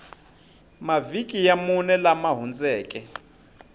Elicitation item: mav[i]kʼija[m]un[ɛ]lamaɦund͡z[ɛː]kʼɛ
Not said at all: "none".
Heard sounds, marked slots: i, m, ɛ, ɛː

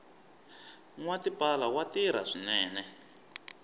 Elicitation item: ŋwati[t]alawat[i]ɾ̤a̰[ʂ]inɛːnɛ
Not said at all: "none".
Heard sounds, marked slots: p, i, ʂ

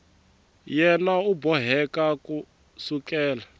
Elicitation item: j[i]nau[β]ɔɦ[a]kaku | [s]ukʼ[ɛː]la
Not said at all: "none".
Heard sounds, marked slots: ɛ, b, ɛ, s, ɛː

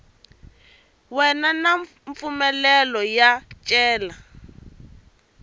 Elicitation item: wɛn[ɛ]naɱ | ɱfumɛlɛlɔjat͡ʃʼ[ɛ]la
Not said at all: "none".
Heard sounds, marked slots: a, ɛː

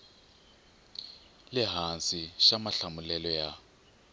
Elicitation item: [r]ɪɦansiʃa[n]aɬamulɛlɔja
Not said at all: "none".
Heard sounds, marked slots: l, m

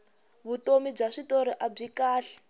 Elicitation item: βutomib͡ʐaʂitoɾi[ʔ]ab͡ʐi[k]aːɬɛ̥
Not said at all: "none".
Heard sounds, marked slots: ʔ, k

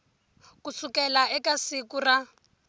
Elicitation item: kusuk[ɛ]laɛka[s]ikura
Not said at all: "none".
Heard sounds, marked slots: ɛ, s

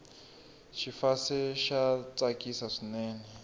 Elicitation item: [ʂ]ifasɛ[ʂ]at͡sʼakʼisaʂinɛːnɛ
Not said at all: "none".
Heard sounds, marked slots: ʃ, ʃ

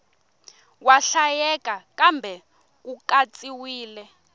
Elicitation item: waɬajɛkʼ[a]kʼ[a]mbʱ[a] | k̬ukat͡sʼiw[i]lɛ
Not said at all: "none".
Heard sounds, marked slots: a, a, ɛ, iː

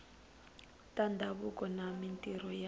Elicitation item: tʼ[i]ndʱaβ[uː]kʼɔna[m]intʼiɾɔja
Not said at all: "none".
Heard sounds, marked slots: a, u, m

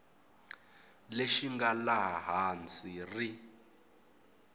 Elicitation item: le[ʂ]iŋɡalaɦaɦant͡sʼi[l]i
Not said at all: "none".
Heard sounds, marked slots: ʃ, r

